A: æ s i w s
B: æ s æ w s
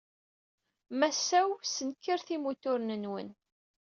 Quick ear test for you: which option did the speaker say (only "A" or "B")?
B